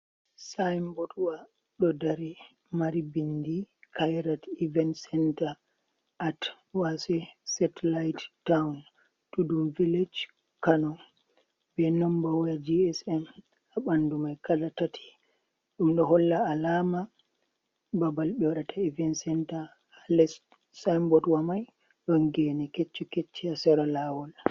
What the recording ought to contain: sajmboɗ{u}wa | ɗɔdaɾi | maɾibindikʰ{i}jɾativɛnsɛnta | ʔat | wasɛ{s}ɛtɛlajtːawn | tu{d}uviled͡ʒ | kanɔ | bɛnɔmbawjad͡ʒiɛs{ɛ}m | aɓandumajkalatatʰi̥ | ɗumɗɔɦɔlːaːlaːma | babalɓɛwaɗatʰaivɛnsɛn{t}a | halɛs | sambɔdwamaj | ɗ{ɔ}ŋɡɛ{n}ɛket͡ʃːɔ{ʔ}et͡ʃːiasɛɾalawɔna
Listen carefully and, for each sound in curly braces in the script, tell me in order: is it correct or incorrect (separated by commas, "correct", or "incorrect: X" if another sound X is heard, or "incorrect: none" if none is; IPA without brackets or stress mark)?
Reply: correct, incorrect: a, correct, correct, correct, correct, correct, correct, incorrect: k